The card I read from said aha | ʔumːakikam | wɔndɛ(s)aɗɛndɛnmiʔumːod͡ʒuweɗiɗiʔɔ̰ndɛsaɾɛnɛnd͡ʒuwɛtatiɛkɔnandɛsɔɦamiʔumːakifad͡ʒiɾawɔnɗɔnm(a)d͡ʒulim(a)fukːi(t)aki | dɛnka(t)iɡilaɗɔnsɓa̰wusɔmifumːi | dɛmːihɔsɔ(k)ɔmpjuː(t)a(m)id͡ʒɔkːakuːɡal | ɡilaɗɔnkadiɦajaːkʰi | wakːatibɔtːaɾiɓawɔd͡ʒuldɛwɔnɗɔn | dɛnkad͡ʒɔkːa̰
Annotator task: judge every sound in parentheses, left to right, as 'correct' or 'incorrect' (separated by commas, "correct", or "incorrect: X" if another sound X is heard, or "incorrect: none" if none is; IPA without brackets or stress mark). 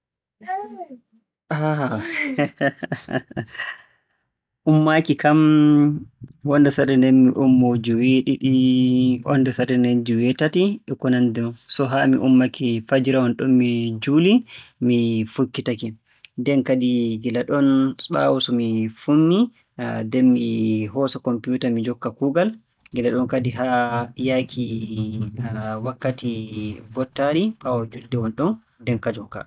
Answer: correct, incorrect: i, incorrect: i, correct, incorrect: d, correct, correct, correct